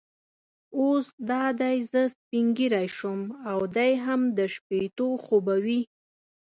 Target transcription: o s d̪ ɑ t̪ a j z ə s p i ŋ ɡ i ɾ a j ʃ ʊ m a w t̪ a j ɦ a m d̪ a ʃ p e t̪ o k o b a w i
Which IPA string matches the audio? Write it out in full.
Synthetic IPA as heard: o s d̪ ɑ d̪ a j z ə s p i ŋ ɡ i ɾ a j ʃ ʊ m a w d̪ a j ɦ a m d̪ ə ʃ p e t̪ o x o b a w i